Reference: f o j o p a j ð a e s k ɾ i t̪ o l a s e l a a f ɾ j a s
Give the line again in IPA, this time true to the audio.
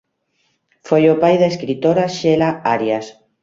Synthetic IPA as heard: f o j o p a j ð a e s k ɾ i t̪ o ɾ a ʃ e l a a ɾ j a s